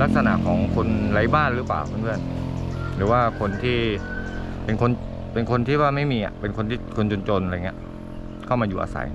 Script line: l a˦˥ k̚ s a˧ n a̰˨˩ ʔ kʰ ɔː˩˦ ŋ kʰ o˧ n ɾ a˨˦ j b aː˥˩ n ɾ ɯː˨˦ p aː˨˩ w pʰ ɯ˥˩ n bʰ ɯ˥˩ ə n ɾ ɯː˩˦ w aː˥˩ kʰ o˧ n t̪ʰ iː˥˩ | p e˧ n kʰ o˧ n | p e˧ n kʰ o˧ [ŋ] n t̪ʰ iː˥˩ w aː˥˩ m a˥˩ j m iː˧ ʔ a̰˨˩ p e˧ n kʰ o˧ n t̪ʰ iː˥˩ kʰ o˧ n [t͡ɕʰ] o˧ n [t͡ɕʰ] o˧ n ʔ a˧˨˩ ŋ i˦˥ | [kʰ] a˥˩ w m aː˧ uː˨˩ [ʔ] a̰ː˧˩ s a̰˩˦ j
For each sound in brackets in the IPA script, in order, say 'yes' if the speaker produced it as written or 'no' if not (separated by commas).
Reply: no, no, no, yes, yes